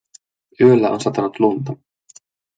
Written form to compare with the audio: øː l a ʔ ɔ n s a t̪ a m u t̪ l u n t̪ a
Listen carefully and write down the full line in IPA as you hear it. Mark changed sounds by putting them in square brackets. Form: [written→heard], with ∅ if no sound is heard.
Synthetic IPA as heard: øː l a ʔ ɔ n s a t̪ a [m→n] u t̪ l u n t̪ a